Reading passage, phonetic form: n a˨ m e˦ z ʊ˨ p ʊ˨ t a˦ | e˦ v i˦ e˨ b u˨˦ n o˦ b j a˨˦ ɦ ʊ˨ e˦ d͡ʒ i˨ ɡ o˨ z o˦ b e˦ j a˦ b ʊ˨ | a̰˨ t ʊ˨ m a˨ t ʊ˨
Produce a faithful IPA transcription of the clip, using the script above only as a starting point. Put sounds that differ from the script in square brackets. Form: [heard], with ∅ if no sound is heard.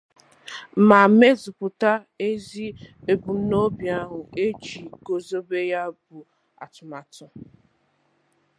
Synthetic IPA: [m] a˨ m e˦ z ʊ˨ p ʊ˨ t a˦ | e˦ [z] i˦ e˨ b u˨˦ n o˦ b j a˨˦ ɦ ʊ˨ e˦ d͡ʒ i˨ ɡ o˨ z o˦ b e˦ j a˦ b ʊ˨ | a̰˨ t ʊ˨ m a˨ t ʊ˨